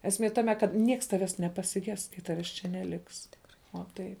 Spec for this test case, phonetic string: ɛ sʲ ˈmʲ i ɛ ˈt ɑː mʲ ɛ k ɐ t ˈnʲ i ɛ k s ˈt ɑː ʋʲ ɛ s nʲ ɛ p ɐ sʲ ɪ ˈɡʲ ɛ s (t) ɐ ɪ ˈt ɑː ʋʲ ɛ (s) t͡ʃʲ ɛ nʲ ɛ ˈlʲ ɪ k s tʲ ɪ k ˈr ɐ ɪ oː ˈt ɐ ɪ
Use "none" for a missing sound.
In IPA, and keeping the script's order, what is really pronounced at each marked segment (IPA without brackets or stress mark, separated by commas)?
k, s